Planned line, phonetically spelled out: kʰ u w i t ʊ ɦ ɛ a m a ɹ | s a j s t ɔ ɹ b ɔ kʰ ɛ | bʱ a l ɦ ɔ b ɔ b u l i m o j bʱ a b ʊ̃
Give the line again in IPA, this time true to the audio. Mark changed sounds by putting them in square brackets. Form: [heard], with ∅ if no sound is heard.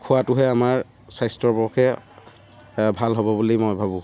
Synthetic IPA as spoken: kʰ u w [a] t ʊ ɦ ɛ a m a ɹ | s a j s t ɔ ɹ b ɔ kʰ ɛ | bʱ a l ɦ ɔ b ɔ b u l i m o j bʱ a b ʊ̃